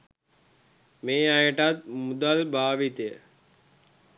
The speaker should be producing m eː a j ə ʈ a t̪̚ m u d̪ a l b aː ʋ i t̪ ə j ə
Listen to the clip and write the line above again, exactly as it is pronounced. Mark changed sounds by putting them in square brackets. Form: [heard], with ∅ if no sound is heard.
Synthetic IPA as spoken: m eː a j ə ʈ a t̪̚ m u d̪ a l b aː ʋ i t̪ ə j ə